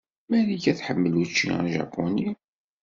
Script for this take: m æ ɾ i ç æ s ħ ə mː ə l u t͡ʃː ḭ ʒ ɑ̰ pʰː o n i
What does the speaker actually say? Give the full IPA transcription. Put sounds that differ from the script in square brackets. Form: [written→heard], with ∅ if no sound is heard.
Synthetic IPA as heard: m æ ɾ i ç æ [s→θ] ħ ə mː ə l u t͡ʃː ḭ ʒ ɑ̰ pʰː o n i